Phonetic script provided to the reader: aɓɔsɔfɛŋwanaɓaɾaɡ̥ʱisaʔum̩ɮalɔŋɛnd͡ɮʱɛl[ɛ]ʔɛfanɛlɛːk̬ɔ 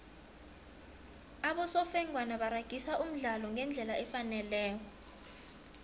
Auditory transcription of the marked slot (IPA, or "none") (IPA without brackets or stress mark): a